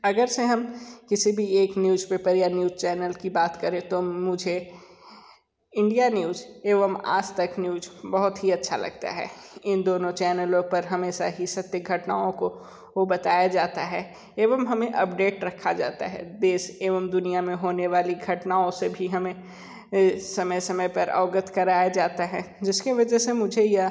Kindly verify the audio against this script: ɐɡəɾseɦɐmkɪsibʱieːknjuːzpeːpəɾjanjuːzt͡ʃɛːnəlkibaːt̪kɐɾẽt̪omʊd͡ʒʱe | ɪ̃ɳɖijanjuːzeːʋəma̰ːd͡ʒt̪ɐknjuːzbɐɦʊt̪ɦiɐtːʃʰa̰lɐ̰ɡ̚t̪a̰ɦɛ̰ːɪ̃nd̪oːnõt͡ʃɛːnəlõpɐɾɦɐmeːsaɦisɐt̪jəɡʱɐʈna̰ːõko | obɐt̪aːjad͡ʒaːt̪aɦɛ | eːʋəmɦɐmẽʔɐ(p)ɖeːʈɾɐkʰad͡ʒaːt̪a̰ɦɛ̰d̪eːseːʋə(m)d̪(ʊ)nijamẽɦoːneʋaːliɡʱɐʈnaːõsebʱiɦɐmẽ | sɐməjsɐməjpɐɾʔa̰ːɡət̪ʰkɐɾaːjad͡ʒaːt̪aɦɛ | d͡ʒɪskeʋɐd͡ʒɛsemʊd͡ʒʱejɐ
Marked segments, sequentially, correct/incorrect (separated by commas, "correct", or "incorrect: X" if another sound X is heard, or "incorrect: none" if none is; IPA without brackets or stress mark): correct, correct, correct